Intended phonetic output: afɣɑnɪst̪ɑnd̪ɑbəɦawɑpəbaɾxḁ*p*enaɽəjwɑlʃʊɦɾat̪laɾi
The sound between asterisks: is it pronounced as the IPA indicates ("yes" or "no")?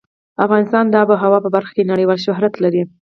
no